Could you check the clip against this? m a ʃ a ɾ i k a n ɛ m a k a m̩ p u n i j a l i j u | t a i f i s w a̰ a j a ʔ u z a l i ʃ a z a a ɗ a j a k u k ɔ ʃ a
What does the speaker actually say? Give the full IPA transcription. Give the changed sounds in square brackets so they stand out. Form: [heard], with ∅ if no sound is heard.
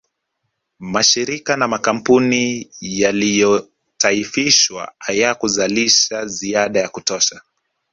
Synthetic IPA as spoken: m a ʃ [i] ɾ i k a n [a] m a k a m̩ p u n i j a l i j [ɔ] | t a i f i [ʃ] w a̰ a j a [k] u z a l i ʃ a z [i] a ɗ a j a k u [t] ɔ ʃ a